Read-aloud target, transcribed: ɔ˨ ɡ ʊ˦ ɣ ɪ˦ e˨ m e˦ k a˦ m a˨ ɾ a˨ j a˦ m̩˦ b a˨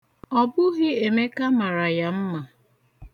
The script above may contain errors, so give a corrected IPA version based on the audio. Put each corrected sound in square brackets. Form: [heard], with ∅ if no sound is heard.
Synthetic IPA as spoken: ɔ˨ [b] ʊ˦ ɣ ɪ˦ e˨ m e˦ k a˦ m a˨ ɾ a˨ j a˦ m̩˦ [m] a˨